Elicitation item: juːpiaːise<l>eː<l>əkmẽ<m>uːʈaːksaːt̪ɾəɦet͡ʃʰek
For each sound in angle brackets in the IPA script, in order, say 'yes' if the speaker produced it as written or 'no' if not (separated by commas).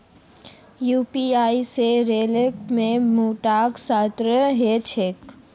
no, yes, yes